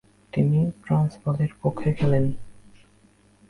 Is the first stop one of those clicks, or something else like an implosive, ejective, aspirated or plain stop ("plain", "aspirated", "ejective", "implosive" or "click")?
plain